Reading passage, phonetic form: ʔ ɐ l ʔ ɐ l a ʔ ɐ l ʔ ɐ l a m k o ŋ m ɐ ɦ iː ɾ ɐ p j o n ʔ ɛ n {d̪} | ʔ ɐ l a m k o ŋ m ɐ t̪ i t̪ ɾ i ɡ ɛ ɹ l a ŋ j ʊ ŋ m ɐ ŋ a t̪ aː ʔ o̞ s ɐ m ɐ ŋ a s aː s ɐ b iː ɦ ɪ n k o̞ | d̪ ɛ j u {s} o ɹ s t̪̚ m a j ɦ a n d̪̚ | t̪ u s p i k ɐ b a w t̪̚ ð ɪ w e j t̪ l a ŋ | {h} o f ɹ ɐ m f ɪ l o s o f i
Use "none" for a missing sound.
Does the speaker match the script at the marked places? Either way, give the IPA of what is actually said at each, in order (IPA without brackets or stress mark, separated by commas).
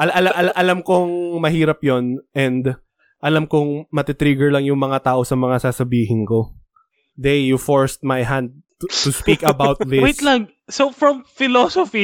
d̪, f, s